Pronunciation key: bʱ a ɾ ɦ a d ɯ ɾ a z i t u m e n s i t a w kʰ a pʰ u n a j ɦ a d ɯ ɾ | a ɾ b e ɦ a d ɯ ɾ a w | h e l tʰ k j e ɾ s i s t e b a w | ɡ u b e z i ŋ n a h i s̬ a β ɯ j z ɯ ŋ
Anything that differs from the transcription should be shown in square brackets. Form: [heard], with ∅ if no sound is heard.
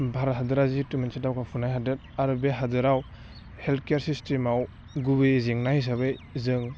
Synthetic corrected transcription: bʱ a ɾ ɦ a d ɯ ɾ a z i t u m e n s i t a w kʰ a pʰ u n a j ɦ a d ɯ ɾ | a ɾ b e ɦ a d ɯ ɾ a w | h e l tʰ k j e ɾ s i s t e [m] a w | ɡ u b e z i ŋ n a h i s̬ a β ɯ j z ɯ ŋ